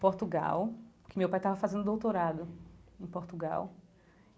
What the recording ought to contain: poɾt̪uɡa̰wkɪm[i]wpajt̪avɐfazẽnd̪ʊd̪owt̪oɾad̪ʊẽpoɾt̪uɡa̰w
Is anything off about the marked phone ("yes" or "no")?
yes